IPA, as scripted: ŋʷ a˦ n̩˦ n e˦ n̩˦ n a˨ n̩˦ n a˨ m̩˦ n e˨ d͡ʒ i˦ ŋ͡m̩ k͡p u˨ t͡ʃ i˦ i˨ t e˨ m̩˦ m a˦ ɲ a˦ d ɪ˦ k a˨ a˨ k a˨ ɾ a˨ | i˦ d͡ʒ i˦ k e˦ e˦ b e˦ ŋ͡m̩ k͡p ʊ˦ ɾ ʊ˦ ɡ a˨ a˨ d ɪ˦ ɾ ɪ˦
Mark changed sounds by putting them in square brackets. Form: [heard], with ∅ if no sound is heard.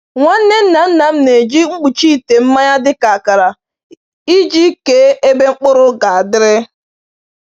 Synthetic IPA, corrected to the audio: ŋʷ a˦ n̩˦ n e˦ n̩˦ n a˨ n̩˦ n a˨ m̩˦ n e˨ d͡ʒ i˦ ŋ͡m̩ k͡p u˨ t͡ʃ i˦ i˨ t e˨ m̩˦ m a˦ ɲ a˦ d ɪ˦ k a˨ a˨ k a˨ ɾ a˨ | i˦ d͡ʒ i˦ k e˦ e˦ b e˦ ŋ͡m̩ k͡p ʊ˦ ɾ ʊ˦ ɡ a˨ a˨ d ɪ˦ ɾ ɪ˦